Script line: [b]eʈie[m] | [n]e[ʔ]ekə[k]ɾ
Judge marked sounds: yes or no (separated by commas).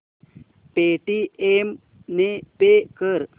no, yes, yes, no, no